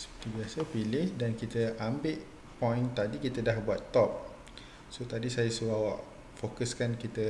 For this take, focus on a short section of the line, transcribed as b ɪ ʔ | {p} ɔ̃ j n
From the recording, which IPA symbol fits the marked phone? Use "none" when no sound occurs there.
p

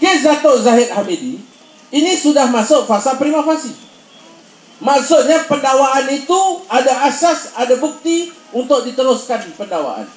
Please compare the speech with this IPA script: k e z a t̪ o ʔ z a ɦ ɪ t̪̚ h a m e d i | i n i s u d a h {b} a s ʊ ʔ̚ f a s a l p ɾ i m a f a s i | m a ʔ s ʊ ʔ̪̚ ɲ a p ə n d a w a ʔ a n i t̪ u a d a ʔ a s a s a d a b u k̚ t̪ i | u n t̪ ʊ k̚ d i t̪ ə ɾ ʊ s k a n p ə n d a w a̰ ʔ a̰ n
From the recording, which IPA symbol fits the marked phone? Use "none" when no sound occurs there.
m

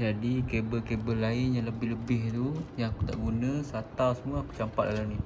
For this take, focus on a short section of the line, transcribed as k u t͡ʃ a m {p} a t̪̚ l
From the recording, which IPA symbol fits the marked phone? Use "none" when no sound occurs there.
p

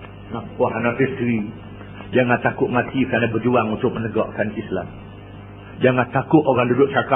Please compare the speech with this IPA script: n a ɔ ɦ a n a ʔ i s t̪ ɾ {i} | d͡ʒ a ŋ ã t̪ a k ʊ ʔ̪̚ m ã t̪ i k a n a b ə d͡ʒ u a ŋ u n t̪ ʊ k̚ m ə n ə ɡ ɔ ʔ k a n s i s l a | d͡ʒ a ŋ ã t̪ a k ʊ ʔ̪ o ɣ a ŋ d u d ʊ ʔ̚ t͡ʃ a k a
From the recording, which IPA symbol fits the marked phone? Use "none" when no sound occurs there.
i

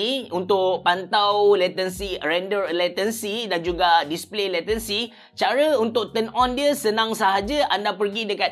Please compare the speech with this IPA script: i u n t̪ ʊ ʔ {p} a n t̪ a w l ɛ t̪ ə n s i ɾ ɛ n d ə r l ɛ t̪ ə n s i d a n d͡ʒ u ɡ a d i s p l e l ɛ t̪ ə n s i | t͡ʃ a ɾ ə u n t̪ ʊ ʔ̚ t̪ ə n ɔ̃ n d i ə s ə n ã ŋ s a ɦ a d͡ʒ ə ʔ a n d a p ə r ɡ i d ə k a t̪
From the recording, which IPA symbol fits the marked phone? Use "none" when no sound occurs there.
p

